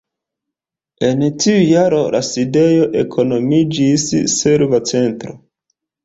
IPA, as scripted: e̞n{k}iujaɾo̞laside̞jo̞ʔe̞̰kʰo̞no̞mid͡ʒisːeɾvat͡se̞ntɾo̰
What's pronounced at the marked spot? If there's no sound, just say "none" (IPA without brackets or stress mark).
t